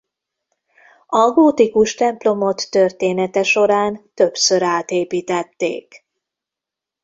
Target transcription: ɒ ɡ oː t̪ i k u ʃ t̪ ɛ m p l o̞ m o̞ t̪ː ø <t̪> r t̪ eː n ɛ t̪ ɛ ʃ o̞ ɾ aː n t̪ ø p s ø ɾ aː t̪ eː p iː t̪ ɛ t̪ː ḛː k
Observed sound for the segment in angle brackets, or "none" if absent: none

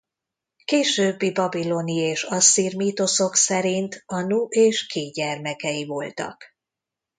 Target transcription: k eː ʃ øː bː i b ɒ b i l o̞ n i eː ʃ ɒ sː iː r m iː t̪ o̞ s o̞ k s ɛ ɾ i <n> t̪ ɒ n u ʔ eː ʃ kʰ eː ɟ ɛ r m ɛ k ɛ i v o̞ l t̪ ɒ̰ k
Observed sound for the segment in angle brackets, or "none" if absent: n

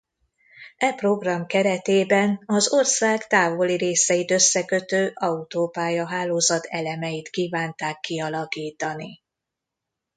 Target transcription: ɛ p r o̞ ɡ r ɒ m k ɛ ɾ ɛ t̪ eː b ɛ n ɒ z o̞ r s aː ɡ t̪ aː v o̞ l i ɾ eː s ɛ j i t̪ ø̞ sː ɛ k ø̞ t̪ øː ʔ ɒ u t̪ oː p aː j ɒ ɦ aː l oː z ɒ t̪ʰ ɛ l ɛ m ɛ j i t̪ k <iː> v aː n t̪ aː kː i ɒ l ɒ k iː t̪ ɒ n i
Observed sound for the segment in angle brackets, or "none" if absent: iː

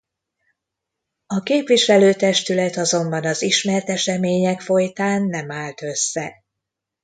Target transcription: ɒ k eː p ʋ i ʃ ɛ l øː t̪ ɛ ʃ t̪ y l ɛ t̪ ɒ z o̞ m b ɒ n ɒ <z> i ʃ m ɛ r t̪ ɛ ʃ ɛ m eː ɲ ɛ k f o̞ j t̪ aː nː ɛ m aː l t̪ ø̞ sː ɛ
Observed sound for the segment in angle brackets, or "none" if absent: z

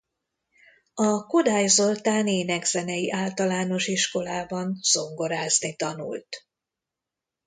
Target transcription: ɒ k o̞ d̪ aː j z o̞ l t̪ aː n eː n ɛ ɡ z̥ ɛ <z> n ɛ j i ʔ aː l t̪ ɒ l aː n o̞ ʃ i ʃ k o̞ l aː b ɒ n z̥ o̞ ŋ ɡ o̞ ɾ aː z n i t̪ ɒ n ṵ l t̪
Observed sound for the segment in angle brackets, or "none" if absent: none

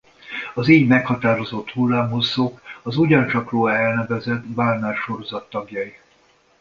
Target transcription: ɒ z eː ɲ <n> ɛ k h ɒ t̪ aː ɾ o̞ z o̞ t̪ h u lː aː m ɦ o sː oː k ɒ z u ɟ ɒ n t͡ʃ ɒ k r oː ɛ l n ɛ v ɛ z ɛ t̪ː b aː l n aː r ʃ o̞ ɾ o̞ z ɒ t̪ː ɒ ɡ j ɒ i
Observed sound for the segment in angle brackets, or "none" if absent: m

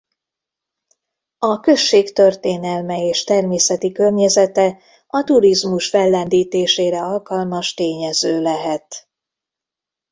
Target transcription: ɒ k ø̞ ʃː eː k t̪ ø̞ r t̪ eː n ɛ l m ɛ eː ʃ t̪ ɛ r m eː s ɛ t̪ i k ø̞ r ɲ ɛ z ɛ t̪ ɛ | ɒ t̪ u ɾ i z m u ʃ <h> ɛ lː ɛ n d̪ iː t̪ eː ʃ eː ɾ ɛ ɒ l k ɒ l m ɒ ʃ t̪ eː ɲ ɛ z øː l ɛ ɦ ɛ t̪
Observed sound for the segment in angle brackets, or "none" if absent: f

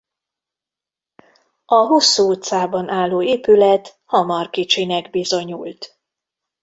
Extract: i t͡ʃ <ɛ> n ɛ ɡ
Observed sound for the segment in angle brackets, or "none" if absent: i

